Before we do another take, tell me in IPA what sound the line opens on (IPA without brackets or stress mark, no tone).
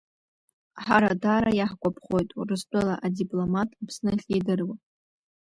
ħ